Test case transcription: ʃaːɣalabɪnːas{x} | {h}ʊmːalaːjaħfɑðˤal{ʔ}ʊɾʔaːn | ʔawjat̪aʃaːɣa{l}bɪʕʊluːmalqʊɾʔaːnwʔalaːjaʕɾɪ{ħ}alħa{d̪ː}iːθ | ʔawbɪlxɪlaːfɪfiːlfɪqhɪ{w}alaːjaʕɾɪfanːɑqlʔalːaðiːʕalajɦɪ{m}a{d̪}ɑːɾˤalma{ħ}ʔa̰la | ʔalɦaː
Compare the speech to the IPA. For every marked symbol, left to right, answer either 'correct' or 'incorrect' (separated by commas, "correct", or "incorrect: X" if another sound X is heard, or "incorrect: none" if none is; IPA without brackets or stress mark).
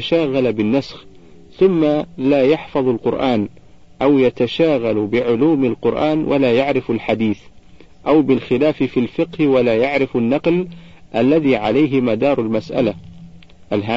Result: correct, incorrect: θ, incorrect: q, correct, incorrect: f, incorrect: d̪, correct, correct, correct, incorrect: s